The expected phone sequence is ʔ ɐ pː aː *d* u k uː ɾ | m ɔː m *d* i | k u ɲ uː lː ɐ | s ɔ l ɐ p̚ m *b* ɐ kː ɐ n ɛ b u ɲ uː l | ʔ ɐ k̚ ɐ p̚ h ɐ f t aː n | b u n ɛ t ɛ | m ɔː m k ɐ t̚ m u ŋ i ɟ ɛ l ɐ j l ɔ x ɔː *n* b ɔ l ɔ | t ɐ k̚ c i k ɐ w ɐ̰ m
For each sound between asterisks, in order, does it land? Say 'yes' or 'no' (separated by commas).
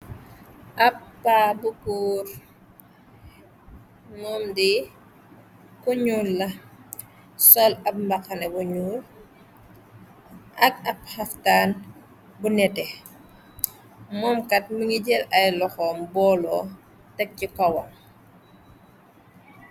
no, yes, yes, no